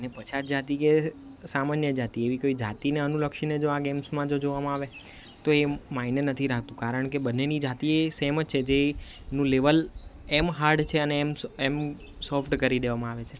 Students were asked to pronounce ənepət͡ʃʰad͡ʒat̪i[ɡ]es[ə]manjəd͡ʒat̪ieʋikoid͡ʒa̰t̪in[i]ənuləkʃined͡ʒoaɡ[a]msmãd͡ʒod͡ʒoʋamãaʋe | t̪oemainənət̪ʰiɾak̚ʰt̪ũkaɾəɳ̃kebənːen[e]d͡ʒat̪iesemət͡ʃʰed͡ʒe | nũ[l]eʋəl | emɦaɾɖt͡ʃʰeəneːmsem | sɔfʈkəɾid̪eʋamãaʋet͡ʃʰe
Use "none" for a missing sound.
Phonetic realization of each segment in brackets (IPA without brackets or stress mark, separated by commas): k, a, e, e, i, l